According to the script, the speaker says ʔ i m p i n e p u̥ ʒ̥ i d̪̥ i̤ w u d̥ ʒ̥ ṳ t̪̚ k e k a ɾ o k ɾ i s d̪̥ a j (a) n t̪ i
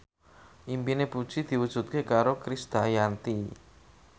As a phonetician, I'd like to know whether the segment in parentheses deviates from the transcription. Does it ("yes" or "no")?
no